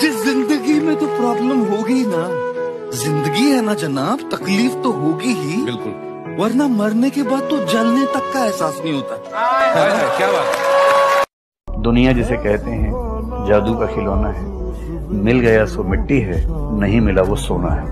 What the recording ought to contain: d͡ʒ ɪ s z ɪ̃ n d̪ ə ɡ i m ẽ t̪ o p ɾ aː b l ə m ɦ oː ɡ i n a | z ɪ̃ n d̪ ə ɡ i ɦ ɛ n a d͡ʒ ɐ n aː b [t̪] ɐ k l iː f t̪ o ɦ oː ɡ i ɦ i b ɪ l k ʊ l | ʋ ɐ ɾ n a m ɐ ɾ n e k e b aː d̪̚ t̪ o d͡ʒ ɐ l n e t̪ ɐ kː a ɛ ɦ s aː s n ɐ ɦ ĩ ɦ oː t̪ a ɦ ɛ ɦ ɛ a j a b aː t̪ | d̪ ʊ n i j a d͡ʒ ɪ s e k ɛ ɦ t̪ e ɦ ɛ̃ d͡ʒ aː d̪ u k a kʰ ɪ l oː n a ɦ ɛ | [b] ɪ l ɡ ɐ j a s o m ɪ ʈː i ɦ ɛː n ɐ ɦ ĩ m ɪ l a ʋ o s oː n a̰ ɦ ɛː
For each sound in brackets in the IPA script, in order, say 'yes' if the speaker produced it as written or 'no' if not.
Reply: yes, no

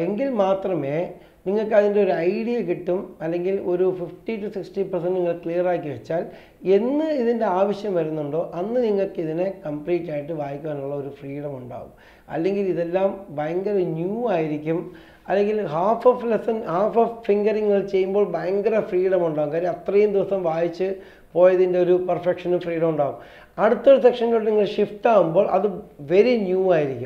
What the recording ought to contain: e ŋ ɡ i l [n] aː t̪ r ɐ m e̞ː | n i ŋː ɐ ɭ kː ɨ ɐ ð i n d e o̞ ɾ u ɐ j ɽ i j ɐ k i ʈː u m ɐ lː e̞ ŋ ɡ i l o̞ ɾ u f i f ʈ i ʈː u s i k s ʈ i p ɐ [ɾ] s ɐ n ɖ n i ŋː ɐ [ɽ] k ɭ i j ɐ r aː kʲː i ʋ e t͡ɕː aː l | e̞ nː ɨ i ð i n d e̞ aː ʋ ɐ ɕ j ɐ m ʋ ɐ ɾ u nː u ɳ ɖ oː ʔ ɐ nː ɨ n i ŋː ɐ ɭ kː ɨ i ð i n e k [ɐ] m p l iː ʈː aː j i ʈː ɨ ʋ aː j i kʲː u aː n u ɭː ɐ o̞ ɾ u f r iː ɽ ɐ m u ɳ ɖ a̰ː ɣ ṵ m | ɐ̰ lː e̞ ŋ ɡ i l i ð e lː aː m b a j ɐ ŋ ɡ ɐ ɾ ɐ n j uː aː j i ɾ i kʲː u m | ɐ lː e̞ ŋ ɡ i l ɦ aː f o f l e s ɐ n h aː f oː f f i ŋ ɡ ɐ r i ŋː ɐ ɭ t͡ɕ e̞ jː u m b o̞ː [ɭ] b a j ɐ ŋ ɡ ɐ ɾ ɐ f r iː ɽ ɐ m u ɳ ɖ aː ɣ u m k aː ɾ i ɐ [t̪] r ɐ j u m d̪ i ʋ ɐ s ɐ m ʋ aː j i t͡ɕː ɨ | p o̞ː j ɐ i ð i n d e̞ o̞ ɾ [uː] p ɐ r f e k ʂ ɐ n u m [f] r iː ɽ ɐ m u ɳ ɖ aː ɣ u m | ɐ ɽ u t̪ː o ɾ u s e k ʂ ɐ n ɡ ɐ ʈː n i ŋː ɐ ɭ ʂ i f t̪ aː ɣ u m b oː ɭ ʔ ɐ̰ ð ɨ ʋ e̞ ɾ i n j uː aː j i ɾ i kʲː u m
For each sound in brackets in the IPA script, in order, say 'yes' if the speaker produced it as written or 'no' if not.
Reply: no, no, no, yes, yes, yes, no, yes

